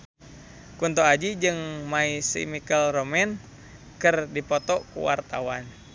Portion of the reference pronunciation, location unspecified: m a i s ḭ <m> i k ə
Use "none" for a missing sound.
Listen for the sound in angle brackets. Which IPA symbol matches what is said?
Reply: m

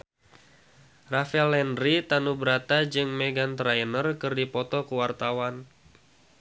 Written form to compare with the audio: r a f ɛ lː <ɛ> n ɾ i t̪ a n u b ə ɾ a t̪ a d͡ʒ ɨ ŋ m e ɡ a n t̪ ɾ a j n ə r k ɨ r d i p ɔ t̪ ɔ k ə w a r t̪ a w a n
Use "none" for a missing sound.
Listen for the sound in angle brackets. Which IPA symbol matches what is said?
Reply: ɛ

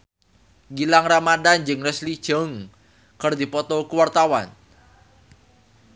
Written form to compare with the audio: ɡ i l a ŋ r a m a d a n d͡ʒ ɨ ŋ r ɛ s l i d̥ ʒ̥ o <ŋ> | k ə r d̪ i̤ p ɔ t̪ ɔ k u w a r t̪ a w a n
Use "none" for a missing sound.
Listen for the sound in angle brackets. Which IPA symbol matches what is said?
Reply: ŋ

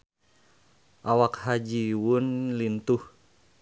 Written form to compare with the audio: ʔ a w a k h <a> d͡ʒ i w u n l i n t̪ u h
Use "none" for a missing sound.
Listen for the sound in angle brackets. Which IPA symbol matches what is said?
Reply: a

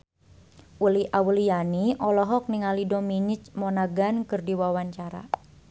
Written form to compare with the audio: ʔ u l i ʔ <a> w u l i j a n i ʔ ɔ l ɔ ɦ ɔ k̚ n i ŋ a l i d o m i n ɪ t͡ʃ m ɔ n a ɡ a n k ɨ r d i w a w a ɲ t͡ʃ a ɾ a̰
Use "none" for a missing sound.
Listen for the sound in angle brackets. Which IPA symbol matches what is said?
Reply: a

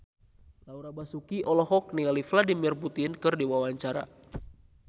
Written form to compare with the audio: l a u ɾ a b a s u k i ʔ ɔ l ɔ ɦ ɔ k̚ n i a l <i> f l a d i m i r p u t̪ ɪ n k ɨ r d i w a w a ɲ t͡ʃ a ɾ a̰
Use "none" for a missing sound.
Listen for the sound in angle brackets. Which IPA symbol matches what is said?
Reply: i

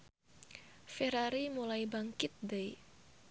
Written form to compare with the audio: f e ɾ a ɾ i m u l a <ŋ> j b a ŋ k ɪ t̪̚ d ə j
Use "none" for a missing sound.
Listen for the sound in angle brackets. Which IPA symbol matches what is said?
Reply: none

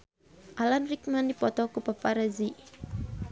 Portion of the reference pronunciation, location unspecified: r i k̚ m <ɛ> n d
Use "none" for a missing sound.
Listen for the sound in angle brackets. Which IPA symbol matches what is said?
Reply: a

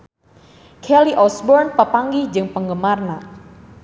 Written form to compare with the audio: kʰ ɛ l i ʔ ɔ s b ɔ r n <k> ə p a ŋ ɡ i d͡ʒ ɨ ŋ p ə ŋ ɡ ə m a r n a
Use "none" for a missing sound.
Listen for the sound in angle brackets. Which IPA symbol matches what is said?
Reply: p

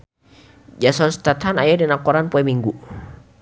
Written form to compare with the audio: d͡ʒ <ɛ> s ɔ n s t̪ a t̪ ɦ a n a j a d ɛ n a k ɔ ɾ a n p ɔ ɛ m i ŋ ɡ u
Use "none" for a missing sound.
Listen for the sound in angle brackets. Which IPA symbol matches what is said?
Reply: a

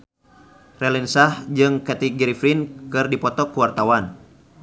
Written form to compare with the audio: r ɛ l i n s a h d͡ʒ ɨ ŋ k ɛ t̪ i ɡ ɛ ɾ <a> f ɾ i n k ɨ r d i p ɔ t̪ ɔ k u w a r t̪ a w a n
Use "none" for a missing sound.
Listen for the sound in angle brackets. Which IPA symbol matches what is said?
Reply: i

